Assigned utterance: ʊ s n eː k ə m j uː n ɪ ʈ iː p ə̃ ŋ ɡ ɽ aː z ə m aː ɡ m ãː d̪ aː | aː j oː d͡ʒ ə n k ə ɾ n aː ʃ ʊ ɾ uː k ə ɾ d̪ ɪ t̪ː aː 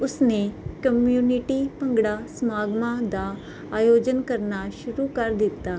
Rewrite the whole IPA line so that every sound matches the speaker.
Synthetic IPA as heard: ʊ s n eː k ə m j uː n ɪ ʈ iː p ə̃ ŋ ɡ ɽ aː s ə m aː ɡ m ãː d̪ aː | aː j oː d͡ʒ ə n k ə ɾ n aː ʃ ʊ ɾ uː k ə ɾ d̪ ɪ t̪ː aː